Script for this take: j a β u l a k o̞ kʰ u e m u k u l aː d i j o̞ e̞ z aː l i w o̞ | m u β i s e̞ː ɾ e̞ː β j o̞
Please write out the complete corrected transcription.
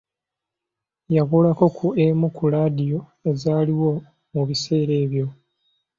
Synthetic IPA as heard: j a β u l a k o̞ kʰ u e m u k u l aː d i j o̞ e̞ z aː l i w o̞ | m u β i s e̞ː ɾ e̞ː β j o̞